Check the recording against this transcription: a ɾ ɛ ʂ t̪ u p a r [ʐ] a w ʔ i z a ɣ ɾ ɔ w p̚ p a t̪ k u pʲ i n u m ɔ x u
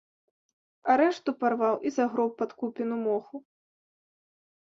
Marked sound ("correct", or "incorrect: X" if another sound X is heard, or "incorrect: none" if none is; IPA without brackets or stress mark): incorrect: v